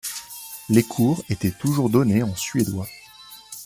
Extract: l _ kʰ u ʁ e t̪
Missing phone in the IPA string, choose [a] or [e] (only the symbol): e